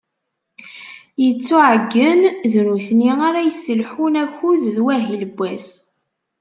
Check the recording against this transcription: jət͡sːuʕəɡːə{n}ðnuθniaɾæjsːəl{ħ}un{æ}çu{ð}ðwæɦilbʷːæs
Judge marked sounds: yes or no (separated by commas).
yes, yes, yes, yes